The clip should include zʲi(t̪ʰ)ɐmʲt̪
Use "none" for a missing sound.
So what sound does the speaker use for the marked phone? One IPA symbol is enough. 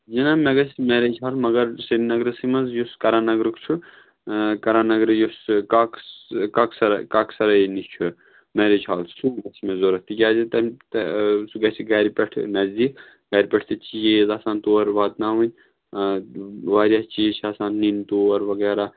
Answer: t̪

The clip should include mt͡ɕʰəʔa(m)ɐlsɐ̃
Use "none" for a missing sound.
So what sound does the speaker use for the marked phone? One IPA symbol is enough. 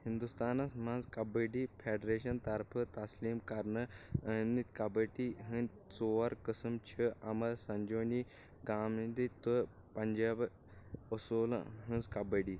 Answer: m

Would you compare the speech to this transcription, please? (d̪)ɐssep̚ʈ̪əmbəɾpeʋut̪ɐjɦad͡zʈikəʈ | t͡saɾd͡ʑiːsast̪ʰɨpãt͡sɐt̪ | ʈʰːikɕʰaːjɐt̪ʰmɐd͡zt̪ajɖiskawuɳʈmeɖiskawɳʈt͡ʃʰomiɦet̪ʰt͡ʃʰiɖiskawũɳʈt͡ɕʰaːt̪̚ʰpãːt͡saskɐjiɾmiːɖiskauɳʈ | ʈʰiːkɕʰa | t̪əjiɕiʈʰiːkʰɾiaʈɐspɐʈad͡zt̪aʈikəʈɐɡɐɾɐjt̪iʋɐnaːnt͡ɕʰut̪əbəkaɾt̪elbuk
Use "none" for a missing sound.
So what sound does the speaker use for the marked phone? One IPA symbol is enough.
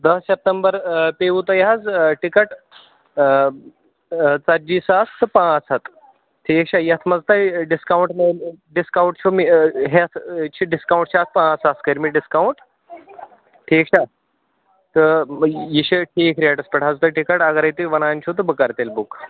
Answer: d̪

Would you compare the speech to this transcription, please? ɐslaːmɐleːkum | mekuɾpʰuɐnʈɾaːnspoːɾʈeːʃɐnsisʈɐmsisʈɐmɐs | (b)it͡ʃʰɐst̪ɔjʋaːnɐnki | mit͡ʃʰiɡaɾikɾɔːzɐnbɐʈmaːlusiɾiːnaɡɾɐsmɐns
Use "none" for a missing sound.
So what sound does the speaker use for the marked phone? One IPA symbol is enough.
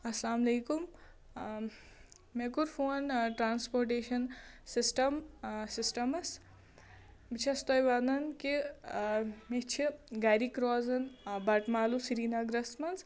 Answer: b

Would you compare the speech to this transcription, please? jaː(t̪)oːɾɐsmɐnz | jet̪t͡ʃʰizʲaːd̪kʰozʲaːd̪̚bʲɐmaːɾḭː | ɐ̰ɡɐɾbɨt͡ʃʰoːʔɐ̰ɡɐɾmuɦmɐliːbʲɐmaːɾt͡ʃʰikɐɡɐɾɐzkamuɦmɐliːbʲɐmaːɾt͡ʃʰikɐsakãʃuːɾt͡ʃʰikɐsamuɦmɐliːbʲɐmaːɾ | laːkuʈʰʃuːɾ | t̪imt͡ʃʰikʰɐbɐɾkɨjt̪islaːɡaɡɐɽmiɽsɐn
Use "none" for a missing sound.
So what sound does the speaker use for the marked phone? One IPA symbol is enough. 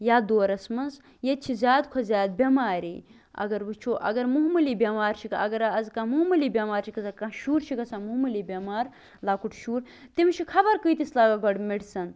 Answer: d̪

